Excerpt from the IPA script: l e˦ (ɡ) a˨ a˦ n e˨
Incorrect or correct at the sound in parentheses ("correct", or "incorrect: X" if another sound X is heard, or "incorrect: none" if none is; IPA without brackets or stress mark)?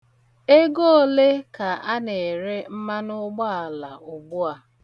incorrect: k